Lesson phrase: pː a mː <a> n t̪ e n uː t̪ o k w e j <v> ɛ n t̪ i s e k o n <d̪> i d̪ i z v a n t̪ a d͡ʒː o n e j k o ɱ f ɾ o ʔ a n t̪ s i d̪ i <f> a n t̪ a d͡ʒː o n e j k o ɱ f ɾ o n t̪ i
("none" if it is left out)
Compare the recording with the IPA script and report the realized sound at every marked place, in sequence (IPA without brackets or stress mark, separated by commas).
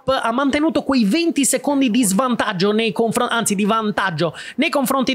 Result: a, v, d̪, v